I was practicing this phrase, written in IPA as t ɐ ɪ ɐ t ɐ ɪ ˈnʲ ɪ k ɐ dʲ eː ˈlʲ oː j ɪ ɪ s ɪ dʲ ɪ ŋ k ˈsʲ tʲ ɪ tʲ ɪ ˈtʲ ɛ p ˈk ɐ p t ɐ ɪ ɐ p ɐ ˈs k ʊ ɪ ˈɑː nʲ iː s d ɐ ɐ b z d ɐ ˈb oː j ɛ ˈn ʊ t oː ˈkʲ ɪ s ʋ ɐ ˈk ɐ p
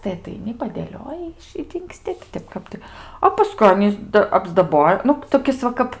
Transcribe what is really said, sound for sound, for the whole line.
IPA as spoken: t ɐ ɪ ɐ t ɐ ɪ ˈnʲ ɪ p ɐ dʲ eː ˈlʲ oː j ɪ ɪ ʃ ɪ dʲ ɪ ŋ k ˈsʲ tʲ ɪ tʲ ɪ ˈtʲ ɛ p ˈk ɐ p t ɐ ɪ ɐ p ɐ ˈs k ʊ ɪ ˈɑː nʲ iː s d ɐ ɐ b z d ɐ ˈb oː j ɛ ˈn ʊ t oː ˈkʲ ɪ s ʋ ɐ ˈk ɐ p